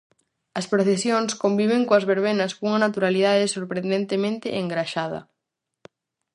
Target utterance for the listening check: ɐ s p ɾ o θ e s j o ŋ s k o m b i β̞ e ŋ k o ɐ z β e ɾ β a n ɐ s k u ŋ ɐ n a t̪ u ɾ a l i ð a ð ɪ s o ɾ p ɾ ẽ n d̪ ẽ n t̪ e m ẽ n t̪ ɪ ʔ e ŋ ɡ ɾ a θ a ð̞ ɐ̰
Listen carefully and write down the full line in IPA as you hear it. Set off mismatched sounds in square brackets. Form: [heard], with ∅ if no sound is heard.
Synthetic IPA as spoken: ɐ s p ɾ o θ e s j o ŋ s k o m b i β̞ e ŋ k o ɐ z β e ɾ β [e] n ɐ s k u ŋ ɐ n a t̪ u ɾ a l i ð a ð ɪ s o ɾ p ɾ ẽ n d̪ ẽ n t̪ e m ẽ n t̪ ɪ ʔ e ŋ ɡ ɾ a [ʃ] a ð̞ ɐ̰